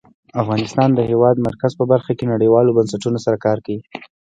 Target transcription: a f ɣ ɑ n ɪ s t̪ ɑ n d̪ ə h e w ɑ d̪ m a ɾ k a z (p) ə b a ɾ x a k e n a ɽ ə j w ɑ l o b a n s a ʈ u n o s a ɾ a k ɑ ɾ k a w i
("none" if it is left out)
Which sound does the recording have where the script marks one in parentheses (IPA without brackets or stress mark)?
p